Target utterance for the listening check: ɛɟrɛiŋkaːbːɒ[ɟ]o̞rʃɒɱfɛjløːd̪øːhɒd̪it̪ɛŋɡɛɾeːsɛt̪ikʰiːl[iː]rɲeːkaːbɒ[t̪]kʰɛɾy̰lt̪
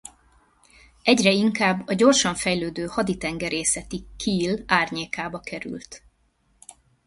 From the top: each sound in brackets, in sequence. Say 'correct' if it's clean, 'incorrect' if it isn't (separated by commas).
correct, incorrect, incorrect